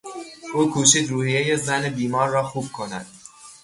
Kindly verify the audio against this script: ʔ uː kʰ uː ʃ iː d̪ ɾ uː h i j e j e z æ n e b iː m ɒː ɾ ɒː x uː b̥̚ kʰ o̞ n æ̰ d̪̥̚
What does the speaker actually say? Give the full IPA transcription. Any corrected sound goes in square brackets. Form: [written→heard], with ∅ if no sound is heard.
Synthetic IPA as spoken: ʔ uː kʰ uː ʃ iː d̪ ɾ uː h i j e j e z æ n e b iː m ɒː [ɾ→ɾː] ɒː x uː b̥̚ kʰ o̞ n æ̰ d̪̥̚

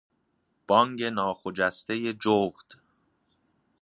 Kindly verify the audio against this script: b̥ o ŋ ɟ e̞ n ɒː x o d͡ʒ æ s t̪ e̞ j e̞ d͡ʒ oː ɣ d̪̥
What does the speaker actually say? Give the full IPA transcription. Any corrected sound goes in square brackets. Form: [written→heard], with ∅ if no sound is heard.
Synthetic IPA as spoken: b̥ [o→ɒ] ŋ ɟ e̞ n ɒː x o d͡ʒ æ s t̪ e̞ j e̞ d͡ʒ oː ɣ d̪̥

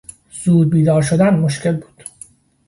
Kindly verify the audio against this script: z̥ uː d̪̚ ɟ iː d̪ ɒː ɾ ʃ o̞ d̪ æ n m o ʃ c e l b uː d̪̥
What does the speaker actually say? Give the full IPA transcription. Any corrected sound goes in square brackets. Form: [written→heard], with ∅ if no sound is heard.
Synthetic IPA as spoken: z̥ uː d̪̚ [ɟ→b] iː d̪ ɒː ɾ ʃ o̞ d̪ æ n m o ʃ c e l b uː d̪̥

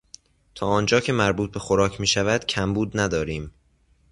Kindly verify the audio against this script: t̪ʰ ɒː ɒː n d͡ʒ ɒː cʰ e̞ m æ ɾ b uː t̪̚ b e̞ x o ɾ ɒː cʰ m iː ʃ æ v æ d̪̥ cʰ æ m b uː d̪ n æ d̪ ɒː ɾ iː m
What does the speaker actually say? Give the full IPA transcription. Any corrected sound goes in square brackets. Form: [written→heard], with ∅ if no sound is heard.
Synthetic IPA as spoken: t̪ʰ ɒː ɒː n d͡ʒ ɒː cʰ e̞ m æ ɾ b uː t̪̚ b e̞ x o ɾ ɒː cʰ m iː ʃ æ v æ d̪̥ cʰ æ m b uː d̪ n æ d̪ ɒː ɾ iː m

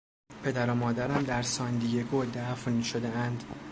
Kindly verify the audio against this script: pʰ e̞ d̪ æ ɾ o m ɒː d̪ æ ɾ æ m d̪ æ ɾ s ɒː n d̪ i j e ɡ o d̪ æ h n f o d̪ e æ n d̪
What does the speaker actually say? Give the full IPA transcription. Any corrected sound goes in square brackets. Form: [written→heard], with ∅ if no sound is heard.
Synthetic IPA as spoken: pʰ e̞ d̪ æ ɾ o m ɒː d̪ æ ɾ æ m d̪ æ ɾ s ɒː n d̪ i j e ɡ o d̪ æ [h→f] n [f→ʃ] o d̪ e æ n d̪

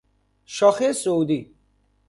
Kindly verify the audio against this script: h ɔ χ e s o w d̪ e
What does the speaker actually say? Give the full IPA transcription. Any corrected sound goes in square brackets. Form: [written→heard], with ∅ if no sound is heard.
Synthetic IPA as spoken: [h→ʃ] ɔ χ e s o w d̪ [e→i]

